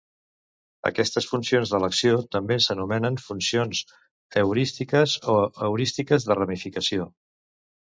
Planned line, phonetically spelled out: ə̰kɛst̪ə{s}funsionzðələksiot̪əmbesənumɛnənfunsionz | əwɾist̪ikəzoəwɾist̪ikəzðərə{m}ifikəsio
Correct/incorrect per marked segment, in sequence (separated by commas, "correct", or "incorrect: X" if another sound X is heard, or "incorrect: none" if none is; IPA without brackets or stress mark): correct, correct